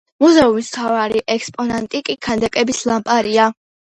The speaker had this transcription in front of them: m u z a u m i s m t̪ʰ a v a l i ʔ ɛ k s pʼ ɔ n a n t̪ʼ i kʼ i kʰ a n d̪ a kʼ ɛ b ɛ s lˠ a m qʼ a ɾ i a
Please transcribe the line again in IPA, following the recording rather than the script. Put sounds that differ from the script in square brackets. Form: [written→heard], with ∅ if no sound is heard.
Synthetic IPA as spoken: m u z [a→ɛ] u m i s m t̪ʰ a v a [l→ɾ] i ʔ ɛ k s pʼ ɔ n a n t̪ʼ i kʼ i kʰ a n d̪ a kʼ ɛ b [ɛ→i] s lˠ a m [qʼ→pʼ] a ɾ i a